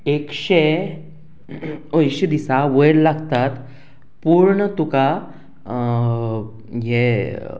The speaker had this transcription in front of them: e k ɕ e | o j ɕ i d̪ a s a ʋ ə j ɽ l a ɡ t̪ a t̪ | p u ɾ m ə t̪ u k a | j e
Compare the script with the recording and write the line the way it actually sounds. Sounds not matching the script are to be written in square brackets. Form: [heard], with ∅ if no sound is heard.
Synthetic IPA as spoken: e k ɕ e | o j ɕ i d̪ [i] s a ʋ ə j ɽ l a ɡ t̪ a t̪ | p u ɾ [ɳ] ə t̪ u k a | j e